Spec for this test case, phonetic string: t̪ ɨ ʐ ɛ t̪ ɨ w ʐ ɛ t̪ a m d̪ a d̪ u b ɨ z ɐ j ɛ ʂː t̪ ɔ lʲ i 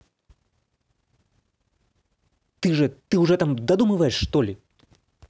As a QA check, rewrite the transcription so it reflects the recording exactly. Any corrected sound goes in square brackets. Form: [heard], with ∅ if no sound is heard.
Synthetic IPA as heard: t̪ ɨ ʐ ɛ t̪ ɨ w ʐ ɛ t̪ a m d̪ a d̪ u [m] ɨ [v] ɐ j ɛ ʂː t̪ ɔ lʲ i